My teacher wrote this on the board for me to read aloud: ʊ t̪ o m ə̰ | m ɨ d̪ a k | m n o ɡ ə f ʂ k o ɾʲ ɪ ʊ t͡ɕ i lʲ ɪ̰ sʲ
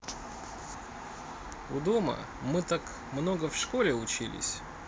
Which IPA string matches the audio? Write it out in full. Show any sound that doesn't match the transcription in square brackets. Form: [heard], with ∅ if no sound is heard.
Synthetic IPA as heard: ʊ [d̪] o m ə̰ | m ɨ [t̪] a k | m n o ɡ ə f ʂ k o [lʲ] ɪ ʊ t͡ɕ i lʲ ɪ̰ sʲ